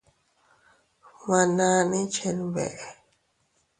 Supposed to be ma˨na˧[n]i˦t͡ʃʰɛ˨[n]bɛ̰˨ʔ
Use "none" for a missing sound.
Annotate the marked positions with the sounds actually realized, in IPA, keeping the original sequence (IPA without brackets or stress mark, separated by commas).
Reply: n, n